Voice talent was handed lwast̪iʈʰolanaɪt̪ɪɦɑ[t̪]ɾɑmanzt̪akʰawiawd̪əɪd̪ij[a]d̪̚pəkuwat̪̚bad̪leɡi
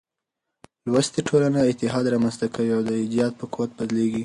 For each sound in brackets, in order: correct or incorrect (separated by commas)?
incorrect, incorrect